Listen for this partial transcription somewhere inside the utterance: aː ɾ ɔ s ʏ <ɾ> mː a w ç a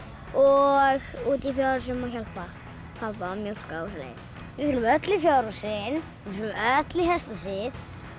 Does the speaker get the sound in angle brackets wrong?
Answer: yes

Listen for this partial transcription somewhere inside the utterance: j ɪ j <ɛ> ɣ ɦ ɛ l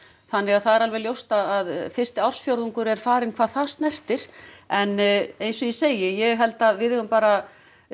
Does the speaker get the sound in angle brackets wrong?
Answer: no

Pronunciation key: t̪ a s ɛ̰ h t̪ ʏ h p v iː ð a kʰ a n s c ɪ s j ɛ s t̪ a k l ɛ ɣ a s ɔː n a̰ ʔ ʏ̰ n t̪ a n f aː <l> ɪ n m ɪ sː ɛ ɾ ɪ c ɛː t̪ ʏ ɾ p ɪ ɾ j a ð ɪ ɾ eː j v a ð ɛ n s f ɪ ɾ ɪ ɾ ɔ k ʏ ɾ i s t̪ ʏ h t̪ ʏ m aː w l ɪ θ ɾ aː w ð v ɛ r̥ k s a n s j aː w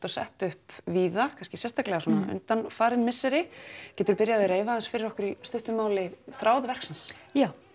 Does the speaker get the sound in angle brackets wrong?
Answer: yes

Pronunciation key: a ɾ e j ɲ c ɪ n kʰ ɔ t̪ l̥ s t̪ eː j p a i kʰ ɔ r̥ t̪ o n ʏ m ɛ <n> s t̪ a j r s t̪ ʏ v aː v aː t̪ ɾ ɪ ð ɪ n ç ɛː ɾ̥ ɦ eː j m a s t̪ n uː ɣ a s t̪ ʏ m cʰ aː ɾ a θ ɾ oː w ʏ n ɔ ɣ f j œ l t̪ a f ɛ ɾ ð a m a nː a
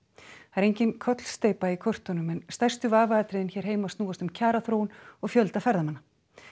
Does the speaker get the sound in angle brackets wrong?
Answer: no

